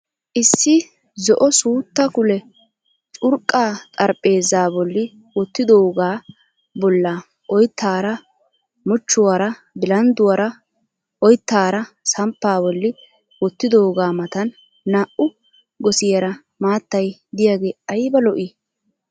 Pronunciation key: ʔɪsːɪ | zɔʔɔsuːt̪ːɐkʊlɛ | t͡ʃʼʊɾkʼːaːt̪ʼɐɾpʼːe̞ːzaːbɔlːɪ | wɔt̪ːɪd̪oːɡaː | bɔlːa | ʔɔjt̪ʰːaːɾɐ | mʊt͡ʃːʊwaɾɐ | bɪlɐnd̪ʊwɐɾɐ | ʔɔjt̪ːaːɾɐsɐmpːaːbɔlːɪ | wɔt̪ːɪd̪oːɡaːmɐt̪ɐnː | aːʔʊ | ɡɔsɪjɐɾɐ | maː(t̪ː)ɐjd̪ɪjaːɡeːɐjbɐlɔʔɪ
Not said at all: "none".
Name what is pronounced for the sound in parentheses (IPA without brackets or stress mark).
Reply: t̪ː